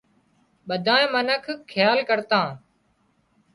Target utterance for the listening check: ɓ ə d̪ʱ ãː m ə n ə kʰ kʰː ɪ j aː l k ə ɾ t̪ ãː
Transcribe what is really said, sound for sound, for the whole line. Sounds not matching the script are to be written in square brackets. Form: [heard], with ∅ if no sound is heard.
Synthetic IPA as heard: ɓ ə d̪ʱ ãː m ə n ə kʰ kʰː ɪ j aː l k ə ɾ t̪ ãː